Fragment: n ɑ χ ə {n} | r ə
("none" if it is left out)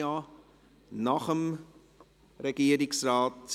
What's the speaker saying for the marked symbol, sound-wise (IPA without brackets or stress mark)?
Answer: m